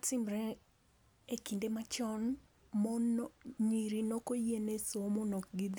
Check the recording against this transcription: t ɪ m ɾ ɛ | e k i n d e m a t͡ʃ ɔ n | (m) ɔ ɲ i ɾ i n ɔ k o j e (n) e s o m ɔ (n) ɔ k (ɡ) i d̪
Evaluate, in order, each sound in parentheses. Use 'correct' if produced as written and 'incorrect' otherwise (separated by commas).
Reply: correct, correct, correct, correct